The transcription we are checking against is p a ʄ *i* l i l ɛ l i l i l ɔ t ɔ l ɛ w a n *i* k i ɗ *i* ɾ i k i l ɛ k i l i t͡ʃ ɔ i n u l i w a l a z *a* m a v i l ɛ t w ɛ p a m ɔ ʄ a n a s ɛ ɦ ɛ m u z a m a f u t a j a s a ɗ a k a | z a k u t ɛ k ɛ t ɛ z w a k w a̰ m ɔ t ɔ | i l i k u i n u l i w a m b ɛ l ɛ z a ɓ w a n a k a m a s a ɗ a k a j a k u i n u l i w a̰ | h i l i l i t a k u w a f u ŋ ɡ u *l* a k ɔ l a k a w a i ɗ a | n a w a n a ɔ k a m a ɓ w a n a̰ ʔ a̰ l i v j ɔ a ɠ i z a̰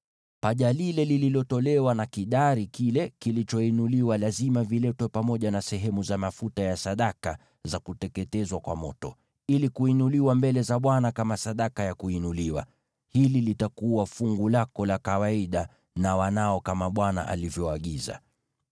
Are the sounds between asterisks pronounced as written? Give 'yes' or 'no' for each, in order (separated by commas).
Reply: no, no, no, no, yes